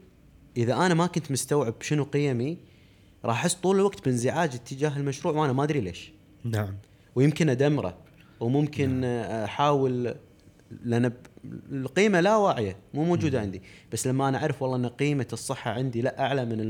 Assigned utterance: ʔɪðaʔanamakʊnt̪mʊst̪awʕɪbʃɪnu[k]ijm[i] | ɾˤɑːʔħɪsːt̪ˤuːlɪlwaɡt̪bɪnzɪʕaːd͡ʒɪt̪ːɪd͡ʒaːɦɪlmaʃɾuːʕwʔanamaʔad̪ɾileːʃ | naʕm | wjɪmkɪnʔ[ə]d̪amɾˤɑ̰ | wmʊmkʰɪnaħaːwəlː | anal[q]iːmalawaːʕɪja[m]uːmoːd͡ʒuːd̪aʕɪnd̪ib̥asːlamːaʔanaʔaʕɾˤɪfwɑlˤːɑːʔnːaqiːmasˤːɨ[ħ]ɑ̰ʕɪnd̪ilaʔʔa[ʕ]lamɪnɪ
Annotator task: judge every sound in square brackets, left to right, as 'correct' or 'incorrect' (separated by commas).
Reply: incorrect, correct, incorrect, correct, correct, incorrect, correct